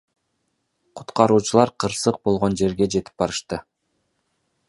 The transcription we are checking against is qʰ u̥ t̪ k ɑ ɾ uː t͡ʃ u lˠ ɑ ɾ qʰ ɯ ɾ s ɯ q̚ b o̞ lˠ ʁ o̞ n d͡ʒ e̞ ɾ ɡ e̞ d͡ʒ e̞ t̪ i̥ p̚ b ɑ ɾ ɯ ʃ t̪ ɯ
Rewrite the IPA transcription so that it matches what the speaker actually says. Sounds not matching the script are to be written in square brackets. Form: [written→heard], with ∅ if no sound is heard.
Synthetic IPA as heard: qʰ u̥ t̪ [k→q] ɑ ɾ uː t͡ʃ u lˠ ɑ ɾ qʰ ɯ ɾ s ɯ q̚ b o̞ lˠ ʁ o̞ n d͡ʒ e̞ ɾ ɡ e̞ d͡ʒ e̞ t̪ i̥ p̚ b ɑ ɾ ɯ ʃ t̪ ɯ